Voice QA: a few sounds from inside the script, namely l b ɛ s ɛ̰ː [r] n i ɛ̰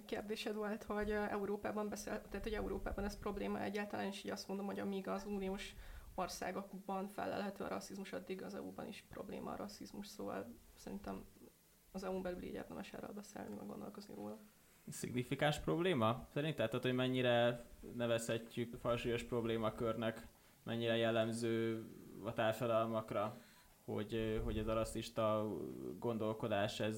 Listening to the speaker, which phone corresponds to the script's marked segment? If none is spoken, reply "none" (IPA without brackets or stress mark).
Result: l